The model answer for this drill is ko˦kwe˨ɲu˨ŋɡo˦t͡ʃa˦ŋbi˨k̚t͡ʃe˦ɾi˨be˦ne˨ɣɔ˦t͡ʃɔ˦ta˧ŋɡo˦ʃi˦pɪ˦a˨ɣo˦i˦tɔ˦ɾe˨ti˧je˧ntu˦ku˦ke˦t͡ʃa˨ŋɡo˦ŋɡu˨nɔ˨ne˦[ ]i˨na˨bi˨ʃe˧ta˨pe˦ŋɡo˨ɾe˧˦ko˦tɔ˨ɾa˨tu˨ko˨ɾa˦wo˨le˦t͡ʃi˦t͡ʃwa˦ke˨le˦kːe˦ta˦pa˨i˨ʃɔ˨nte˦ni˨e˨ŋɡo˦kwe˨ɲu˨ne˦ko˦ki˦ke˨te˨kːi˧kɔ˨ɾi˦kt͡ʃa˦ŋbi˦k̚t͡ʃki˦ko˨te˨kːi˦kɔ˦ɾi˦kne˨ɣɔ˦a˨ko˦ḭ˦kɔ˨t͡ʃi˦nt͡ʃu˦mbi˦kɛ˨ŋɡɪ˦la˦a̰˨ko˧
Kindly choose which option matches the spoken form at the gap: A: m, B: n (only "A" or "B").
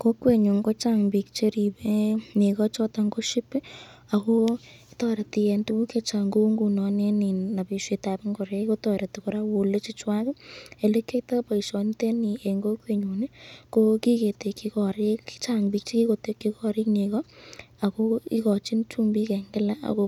B